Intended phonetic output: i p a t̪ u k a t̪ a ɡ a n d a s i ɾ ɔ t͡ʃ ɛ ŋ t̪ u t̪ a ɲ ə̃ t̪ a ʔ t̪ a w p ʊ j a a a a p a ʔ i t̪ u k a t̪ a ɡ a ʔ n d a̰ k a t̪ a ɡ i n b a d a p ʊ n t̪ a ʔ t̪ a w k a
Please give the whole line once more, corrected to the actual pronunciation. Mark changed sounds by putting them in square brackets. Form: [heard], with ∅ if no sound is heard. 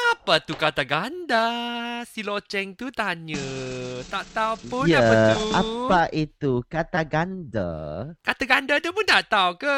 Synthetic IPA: [a] p a t̪ u k a t̪ a ɡ a n d a s i [l] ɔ t͡ʃ ɛ ŋ t̪ u t̪ a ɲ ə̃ t̪ a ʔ t̪ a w p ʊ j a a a a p a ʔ i t̪ u k a t̪ a ɡ a [∅] n d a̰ k a t̪ a ɡ [a] n [d] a d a p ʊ n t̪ a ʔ t̪ a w k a